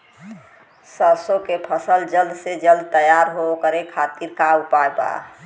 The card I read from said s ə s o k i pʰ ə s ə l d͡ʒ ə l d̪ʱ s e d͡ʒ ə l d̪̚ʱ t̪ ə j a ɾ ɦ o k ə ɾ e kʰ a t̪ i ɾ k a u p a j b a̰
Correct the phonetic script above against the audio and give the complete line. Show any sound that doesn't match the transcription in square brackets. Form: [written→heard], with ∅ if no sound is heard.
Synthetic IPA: s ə s o k [i→e] pʰ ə s ə l d͡ʒ ə l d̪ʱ s e d͡ʒ ə l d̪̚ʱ t̪ ə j a ɾ ɦ o k ə ɾ e kʰ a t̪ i ɾ k a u p a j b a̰

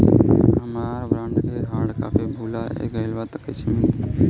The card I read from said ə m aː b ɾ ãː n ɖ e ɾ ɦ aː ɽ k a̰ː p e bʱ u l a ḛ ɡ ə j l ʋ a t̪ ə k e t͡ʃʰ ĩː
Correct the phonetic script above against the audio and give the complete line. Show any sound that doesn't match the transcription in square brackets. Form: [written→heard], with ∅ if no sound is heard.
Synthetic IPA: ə m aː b ɾ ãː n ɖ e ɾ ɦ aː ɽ k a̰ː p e bʱ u l a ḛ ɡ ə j l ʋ a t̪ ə k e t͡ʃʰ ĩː

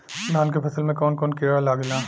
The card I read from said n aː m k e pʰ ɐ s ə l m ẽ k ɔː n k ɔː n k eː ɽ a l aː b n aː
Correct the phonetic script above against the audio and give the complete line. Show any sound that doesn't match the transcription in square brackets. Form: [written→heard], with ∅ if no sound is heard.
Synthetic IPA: n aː [m→n] k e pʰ ɐ s ə l m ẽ k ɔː n k ɔː n k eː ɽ a l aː [b→ɡ] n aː

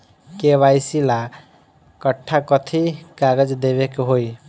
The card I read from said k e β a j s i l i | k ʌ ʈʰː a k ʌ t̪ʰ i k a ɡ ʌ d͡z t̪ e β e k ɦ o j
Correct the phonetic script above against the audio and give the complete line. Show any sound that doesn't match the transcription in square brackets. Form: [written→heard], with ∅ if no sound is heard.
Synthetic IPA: k e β a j s i l [i→a] | k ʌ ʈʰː a k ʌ t̪ʰ i k a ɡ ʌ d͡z [t̪→d̪] e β e k ɦ o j

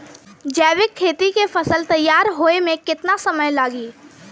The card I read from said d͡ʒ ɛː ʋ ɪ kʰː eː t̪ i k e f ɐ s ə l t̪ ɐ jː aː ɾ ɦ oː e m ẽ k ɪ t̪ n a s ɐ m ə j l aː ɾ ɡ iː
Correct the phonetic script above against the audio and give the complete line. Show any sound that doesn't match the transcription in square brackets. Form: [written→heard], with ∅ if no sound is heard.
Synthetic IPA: d͡ʒ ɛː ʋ ɪ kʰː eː t̪ i k e f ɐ s ə l t̪ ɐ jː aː ɾ ɦ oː e m ẽ k ɪ t̪ n a s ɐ m ə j l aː [ɾ→∅] ɡ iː

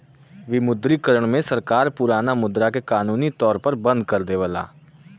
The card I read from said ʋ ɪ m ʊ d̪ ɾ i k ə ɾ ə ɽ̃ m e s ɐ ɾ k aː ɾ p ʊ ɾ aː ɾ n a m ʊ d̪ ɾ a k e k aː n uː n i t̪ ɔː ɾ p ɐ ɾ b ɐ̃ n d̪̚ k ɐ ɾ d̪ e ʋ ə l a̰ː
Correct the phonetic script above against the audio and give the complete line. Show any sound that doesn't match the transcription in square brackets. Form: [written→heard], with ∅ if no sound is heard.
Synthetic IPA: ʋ ɪ m ʊ d̪ ɾ i k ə ɾ ə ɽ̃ m [e→ẽ] s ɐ ɾ k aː ɾ p ʊ ɾ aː [ɾ→∅] n a m ʊ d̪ ɾ a k e k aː n uː n i t̪ ɔː ɾ p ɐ ɾ b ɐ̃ n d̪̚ k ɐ ɾ d̪ e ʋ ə l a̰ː

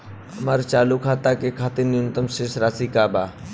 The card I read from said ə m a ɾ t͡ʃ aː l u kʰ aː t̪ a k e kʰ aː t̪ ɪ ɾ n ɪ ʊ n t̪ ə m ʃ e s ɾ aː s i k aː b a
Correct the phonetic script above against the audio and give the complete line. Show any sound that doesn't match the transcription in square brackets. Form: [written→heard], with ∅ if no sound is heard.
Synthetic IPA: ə m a ɾ t͡ʃ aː l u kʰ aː t̪ a k e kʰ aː t̪ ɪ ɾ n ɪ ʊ n t̪ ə m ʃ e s ɾ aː s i k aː b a

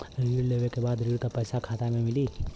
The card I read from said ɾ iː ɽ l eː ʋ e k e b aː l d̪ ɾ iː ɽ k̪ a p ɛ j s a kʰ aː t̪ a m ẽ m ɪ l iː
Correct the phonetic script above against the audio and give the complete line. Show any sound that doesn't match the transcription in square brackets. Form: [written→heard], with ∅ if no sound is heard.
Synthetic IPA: ɾ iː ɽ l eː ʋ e k e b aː [l→∅] d̪ ɾ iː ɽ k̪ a p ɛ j s a kʰ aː t̪ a m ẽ m ɪ l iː

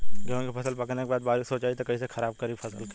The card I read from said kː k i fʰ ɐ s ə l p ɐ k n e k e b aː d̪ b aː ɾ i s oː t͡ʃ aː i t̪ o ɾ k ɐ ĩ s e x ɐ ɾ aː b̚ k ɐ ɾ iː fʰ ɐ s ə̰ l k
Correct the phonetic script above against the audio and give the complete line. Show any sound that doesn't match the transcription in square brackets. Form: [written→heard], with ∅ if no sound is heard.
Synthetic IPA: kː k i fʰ ɐ s ə l p ɐ k n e k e b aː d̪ b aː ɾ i s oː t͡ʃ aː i t̪ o [ɾ→∅] k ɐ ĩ s e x ɐ ɾ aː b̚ k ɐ ɾ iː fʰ ɐ s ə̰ l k

